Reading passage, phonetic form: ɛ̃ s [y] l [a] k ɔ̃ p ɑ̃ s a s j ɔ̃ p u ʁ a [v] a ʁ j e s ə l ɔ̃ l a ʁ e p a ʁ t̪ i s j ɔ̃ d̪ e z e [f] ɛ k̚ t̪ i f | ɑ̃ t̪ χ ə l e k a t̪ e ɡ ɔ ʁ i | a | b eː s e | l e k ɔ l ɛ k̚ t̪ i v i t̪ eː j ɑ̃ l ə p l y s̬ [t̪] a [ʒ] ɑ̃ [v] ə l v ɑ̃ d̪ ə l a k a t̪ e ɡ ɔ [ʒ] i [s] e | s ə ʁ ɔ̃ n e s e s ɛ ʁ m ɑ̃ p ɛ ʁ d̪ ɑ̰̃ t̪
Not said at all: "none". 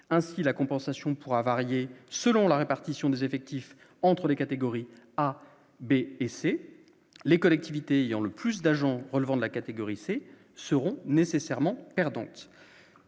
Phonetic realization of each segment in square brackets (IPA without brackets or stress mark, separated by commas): i, a, v, f, d̪, ʒ, ʁ, ʁ, s